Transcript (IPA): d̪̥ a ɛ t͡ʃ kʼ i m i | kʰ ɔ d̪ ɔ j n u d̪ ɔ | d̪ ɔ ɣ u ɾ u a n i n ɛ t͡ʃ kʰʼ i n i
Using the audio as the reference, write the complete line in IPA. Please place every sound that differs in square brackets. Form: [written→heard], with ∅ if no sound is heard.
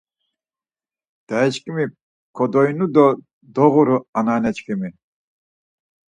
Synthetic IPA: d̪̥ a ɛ t͡ʃ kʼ i m i | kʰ ɔ d̪ ɔ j n u d̪ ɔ | d̪ ɔ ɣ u ɾ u a n [i→a] n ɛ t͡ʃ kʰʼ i [n→m] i